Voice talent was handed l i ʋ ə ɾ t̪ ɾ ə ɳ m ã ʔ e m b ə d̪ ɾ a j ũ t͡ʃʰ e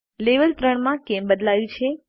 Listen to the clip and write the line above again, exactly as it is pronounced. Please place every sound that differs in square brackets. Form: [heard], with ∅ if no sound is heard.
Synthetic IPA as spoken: l [e] ʋ ə [l] t̪ ɾ ə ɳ m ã [k] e m b ə d̪ [l] a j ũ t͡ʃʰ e